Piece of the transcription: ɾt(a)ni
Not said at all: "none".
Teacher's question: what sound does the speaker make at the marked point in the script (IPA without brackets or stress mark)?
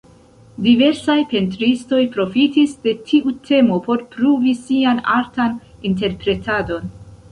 a